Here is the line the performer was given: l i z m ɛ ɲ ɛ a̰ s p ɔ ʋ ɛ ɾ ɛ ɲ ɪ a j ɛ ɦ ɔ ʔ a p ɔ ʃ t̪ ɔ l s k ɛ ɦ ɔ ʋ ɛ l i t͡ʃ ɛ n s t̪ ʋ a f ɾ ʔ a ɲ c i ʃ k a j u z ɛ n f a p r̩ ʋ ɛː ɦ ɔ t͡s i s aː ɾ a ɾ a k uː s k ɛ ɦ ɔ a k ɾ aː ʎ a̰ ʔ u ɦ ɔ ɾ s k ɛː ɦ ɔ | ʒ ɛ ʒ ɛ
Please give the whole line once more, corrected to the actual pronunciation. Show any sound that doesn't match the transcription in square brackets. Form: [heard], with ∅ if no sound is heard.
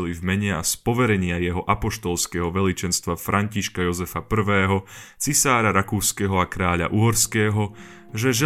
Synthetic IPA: l i [v] m ɛ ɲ ɛ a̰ s p ɔ ʋ ɛ ɾ ɛ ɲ ɪ a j ɛ ɦ ɔ ʔ a p ɔ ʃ t̪ ɔ l s k ɛ ɦ ɔ ʋ ɛ l i t͡ʃ ɛ n s t̪ ʋ a f ɾ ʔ a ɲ c i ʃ k a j [ɔ] z ɛ [∅] f a p r̩ ʋ ɛː ɦ ɔ t͡s i s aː ɾ a ɾ a k uː s k ɛ ɦ ɔ a k ɾ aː ʎ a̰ ʔ u ɦ ɔ ɾ s k ɛː ɦ ɔ | ʒ ɛ ʒ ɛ